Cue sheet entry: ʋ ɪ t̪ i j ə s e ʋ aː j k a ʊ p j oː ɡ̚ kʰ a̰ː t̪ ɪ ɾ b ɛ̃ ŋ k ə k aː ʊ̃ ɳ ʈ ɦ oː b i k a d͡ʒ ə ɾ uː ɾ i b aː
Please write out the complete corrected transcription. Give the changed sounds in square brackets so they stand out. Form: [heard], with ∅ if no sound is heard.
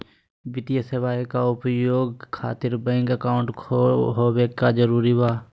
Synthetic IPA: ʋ ɪ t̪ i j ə s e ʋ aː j k a ʊ p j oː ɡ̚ kʰ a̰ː t̪ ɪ ɾ b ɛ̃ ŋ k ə k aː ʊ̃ ɳ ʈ ɦ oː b [e] k a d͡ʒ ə ɾ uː ɾ i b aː